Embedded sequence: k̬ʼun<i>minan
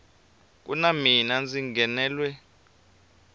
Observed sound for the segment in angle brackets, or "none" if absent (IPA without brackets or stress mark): a